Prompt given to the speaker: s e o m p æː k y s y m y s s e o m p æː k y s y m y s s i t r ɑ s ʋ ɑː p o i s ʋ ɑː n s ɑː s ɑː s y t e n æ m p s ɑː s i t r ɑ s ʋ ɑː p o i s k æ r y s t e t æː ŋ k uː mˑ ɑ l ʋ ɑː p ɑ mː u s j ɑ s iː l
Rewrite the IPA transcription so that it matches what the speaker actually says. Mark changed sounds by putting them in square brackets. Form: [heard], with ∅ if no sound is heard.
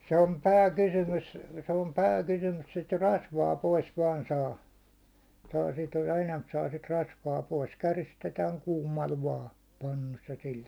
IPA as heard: s e o m p æː k y s y m y s s e o m p æː k y s y m y s s i t r ɑ s ʋ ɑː p o i s ʋ ɑː n s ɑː s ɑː s [i] t e n æ m p s ɑː s i t r ɑ s ʋ ɑː p o i s k æ r [i] s t e t æː ŋ k uː mˑ ɑ l ʋ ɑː p ɑ [nː] u s j ɑ s [i] l